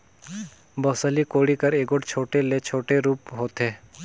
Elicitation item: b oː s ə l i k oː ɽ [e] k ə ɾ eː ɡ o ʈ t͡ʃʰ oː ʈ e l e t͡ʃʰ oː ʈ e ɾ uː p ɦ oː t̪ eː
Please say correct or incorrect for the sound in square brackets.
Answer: incorrect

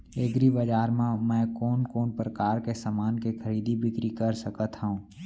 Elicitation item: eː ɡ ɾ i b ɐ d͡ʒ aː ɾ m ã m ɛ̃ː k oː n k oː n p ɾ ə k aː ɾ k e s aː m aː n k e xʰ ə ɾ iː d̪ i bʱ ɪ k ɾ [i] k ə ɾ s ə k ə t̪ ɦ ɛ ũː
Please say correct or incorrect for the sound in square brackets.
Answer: correct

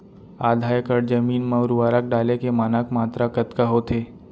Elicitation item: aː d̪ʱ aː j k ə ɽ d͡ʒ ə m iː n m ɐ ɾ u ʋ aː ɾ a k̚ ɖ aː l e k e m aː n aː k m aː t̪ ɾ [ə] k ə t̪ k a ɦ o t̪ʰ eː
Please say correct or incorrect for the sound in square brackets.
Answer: incorrect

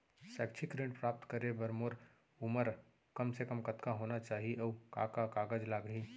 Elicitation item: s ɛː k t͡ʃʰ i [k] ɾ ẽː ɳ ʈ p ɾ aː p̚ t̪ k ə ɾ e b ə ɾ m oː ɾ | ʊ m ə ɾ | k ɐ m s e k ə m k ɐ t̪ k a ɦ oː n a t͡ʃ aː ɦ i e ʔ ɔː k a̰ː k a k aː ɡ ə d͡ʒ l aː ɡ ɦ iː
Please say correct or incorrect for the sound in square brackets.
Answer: correct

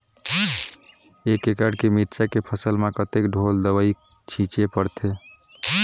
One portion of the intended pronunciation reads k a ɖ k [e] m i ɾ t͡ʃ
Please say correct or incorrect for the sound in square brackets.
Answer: correct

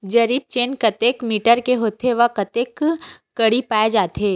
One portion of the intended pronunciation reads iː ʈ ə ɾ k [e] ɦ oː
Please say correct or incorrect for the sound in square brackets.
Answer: correct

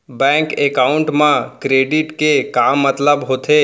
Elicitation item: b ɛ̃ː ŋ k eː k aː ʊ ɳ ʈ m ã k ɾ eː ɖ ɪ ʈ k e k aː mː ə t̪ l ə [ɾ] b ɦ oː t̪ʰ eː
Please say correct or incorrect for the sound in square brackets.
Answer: incorrect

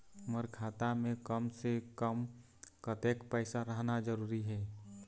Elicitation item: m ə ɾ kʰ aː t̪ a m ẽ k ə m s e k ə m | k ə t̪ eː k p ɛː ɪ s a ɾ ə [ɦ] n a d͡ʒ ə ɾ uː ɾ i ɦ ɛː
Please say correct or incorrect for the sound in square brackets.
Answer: correct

